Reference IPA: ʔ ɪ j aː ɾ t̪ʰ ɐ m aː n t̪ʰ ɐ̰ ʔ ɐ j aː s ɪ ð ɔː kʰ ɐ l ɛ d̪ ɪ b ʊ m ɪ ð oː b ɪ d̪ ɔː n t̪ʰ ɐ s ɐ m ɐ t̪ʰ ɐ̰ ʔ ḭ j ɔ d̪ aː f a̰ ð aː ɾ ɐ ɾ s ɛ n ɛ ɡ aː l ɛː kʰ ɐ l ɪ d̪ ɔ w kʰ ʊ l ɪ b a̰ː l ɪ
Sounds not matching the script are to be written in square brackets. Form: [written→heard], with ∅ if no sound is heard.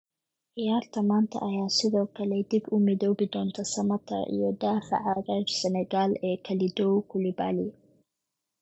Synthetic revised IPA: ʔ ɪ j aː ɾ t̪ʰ ɐ m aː n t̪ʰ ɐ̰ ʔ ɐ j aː s ɪ ð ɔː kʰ ɐ l ɛ d̪ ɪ b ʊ m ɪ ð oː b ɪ d̪ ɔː n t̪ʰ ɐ s ɐ m ɐ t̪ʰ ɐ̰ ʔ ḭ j ɔ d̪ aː f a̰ [ð→ʕ] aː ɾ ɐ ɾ s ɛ n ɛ ɡ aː l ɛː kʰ ɐ l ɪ d̪ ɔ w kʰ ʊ l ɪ b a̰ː l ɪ